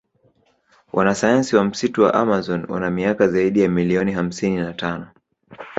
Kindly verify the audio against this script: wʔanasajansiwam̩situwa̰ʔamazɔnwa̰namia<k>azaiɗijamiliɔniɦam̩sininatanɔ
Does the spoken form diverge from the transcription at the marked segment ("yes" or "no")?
no